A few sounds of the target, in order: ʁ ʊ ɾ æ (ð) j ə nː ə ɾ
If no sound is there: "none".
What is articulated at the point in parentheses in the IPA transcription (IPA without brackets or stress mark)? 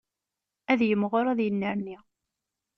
ð